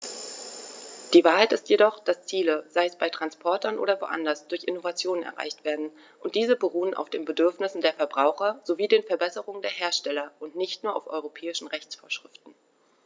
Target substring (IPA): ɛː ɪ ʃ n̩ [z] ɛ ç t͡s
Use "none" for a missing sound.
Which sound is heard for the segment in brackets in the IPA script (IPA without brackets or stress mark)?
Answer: ʁ